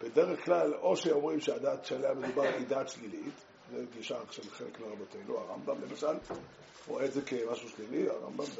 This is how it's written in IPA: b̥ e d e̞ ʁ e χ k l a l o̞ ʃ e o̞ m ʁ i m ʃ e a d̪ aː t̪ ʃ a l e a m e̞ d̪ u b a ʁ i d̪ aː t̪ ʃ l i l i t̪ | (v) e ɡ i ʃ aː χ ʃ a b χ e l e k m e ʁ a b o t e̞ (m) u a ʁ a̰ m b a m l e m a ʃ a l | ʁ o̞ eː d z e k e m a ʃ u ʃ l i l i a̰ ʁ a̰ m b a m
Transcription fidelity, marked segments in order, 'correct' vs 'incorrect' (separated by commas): incorrect, incorrect